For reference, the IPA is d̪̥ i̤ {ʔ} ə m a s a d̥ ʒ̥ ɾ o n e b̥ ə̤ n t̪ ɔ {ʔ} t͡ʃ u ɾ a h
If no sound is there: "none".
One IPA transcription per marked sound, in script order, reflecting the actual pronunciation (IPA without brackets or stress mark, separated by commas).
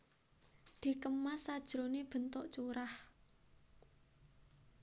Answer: k, ʔ